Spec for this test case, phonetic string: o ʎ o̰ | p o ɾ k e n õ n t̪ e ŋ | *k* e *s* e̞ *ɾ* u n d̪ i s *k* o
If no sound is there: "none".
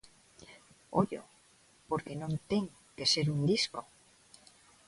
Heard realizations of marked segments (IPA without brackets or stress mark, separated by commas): k, s, ɾ, k